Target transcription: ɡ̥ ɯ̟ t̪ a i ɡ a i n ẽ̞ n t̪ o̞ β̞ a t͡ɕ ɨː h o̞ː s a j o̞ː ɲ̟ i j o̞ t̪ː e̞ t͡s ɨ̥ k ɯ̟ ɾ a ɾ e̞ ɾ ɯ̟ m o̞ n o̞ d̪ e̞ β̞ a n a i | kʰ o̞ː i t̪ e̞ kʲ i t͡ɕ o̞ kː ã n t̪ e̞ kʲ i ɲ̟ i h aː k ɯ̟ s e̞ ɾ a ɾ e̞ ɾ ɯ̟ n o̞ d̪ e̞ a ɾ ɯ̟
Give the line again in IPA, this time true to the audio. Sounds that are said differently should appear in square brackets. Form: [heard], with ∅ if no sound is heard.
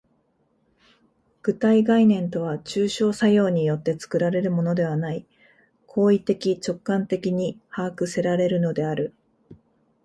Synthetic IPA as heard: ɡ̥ ɯ̟ t̪ a i ɡ a i n ẽ̞ n t̪ o̞ β̞ a t͡ɕ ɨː [ɕ] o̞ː s a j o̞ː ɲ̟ i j o̞ t̪ː e̞ t͡s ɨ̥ k ɯ̟ ɾ a ɾ e̞ ɾ ɯ̟ m o̞ n o̞ d̪ e̞ β̞ a n a i | kʰ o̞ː i t̪ e̞ kʲ i t͡ɕ o̞ kː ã n t̪ e̞ kʲ i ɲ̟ i h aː k ɯ̟ s e̞ ɾ a ɾ e̞ ɾ ɯ̟ n o̞ d̪ e̞ a ɾ ɯ̟